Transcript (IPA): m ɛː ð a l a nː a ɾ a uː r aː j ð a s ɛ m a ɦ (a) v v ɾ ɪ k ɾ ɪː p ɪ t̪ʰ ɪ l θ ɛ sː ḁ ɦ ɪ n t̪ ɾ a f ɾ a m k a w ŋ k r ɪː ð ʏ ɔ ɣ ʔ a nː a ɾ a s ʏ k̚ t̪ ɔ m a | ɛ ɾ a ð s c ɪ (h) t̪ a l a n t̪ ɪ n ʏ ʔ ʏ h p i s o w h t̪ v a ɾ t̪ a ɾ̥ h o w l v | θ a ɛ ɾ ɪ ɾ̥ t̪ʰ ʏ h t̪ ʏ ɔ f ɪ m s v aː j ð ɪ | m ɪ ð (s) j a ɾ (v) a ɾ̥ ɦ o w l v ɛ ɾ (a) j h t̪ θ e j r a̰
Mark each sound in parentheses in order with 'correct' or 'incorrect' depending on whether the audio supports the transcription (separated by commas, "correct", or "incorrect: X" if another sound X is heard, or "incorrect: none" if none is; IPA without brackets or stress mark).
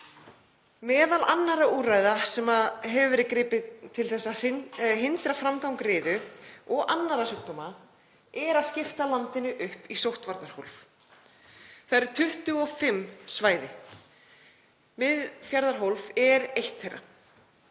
incorrect: ɛ, incorrect: f, incorrect: f, incorrect: ð, incorrect: e